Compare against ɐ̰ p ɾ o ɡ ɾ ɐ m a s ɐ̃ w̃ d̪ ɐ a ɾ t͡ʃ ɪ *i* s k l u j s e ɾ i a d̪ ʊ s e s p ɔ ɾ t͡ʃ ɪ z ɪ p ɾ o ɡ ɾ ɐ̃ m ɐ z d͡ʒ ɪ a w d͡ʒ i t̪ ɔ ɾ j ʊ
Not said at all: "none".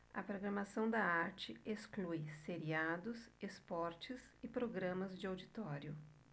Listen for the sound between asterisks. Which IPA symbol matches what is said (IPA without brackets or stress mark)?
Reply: e